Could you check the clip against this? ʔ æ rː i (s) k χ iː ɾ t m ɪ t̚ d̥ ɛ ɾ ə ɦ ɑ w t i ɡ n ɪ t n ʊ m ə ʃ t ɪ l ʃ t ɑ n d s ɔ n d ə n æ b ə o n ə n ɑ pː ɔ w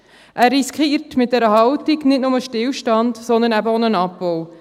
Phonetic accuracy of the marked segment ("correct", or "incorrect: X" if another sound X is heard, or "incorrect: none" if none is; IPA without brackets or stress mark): correct